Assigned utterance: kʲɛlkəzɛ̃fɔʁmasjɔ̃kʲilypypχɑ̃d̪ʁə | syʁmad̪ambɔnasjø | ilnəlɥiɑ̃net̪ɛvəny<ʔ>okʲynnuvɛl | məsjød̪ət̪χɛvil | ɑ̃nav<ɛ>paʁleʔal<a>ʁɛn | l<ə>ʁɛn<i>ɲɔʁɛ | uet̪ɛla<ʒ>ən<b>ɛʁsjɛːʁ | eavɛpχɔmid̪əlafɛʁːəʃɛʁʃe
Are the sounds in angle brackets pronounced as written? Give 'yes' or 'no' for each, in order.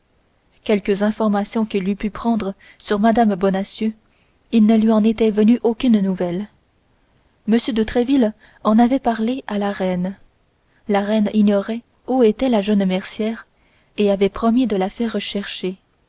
yes, yes, yes, no, yes, yes, no

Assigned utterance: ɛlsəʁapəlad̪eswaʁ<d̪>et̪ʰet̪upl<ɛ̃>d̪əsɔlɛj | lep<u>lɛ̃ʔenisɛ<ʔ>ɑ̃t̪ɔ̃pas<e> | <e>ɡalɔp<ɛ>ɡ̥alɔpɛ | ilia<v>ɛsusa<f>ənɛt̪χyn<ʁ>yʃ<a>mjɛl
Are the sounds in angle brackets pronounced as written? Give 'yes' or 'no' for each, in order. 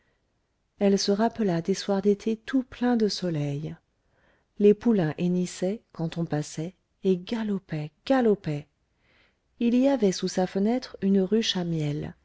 yes, yes, yes, no, no, yes, yes, yes, yes, yes, yes

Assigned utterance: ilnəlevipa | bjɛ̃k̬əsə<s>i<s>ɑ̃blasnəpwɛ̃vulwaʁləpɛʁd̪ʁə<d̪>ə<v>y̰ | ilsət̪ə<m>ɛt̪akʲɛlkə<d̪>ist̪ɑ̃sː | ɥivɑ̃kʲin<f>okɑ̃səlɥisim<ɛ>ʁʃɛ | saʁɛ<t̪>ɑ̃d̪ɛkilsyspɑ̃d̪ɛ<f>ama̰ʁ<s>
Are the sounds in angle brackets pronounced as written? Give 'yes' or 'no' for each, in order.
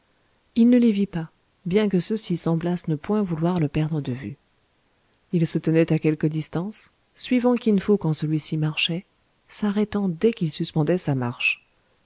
yes, yes, yes, yes, no, yes, yes, no, yes, no, no

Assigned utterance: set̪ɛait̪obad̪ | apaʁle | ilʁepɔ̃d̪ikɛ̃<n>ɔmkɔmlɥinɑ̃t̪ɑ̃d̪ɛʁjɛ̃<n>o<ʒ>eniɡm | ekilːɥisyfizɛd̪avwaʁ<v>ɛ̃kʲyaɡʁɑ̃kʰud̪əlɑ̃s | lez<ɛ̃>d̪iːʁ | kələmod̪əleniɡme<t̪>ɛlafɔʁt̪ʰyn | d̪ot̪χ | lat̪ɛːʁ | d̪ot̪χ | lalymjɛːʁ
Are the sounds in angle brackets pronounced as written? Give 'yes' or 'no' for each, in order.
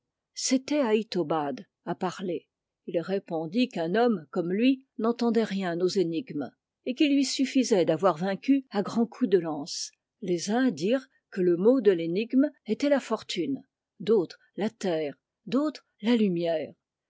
yes, yes, no, yes, yes, yes

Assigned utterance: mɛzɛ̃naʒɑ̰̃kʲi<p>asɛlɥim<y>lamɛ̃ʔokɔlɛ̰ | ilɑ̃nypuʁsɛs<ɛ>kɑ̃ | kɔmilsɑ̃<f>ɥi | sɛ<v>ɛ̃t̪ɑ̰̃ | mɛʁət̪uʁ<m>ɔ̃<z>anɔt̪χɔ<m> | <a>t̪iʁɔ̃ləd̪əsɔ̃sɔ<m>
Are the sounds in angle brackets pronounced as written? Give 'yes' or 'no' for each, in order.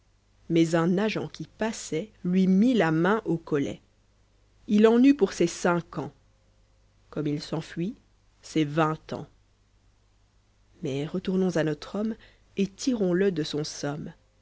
yes, no, no, yes, yes, no, yes, yes, no, yes

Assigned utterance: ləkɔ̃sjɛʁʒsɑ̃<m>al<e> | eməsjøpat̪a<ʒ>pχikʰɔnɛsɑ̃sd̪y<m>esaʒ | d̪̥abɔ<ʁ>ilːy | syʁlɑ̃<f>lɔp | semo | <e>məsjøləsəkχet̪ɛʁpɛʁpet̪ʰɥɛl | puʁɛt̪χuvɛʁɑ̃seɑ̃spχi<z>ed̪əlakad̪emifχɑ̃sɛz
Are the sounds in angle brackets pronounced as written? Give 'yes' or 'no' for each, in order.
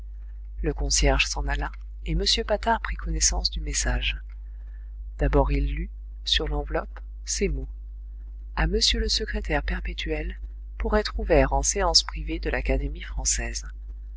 no, no, no, yes, yes, no, no, no

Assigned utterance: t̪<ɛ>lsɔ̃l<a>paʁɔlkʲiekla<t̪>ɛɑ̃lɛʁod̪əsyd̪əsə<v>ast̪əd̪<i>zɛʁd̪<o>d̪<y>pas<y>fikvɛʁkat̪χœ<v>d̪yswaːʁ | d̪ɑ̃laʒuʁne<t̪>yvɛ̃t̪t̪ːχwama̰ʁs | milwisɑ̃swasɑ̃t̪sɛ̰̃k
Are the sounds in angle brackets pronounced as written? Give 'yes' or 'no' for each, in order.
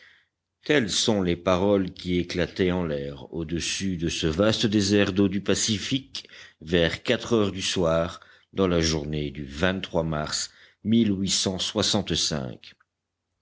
yes, no, yes, yes, no, yes, yes, no, no, no

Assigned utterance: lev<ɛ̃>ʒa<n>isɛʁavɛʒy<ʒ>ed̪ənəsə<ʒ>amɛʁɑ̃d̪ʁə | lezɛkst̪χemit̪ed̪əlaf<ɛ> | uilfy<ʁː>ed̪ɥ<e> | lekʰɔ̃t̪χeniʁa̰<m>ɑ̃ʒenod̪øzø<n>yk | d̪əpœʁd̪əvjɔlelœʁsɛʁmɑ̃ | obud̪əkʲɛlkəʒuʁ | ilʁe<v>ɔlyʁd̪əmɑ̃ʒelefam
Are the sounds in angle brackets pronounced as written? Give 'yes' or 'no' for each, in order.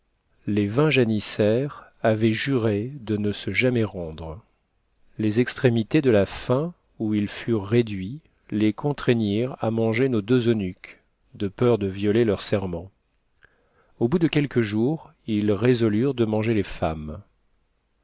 yes, yes, no, yes, no, yes, no, yes, yes, no

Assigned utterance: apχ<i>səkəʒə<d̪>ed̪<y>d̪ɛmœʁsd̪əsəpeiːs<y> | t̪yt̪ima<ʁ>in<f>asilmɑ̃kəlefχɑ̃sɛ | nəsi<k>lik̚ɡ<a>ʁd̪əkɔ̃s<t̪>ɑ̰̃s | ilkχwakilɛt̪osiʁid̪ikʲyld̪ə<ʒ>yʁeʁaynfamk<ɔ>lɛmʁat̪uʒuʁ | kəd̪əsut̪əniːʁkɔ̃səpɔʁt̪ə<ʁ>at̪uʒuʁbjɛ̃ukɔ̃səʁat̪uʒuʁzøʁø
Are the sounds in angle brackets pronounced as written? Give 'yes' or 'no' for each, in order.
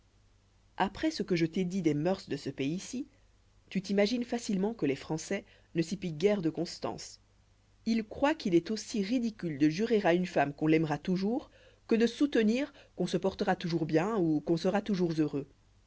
no, no, no, no, no, yes, no, no, yes, yes, no, yes

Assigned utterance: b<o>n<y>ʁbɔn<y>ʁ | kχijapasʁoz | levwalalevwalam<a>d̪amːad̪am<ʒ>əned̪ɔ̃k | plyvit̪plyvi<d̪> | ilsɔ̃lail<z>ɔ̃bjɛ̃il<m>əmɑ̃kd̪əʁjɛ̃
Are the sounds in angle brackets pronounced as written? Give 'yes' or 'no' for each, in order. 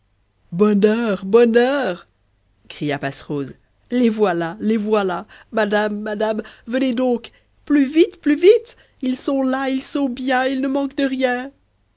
no, no, no, yes, no, no, no, no

